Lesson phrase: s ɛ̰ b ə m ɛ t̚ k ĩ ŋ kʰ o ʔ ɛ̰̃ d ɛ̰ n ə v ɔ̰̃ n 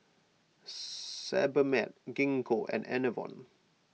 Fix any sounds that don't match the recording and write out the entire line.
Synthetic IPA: s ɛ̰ b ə m ɛ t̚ ɡ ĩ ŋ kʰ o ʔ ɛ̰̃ n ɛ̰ n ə v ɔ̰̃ n